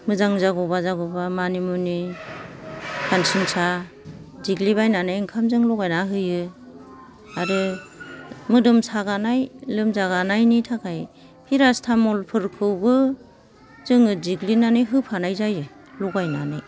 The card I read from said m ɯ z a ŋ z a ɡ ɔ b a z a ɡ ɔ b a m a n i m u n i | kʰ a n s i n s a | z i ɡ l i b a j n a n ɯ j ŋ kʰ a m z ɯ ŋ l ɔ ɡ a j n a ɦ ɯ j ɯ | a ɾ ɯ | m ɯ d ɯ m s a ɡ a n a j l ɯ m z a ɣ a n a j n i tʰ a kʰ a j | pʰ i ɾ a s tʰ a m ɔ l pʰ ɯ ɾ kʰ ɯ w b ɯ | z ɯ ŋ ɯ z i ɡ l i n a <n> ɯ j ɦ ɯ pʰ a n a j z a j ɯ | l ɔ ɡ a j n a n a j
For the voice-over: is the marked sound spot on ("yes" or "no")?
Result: yes